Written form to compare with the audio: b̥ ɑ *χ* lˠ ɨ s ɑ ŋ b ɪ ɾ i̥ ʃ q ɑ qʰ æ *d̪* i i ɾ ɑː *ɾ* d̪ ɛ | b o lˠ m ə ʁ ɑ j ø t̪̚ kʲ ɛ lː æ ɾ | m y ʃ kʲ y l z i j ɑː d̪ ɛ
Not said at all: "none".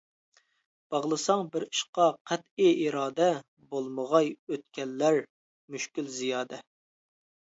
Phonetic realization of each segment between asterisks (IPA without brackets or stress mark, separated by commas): ʁ, t̪, none